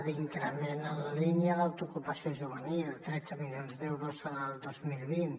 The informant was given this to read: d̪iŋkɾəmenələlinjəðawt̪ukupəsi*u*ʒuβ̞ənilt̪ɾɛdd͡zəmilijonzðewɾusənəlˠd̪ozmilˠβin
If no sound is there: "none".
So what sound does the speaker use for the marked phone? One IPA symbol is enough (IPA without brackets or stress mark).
o